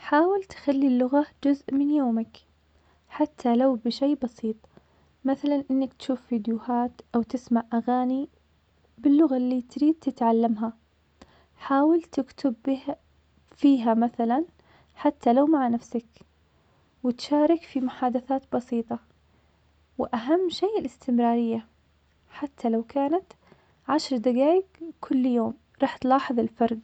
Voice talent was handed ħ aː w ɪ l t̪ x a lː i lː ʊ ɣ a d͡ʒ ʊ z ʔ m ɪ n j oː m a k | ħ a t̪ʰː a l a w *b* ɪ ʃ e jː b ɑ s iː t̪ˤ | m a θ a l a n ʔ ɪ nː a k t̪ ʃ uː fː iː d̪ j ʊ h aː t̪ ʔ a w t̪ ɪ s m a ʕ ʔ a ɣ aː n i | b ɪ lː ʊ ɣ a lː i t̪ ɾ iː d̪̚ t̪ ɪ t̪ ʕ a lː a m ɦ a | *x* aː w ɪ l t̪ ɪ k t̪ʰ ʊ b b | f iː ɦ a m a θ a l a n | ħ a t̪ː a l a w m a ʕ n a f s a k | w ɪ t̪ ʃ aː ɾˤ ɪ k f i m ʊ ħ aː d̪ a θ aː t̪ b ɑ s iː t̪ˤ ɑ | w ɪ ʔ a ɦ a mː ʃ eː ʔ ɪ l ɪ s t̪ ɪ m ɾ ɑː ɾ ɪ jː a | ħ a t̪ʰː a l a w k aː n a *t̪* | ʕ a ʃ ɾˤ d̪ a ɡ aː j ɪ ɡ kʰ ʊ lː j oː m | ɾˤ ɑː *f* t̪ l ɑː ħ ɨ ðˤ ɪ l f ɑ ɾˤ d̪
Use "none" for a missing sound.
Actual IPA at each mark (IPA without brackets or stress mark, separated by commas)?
b, ħ, t̪, ħ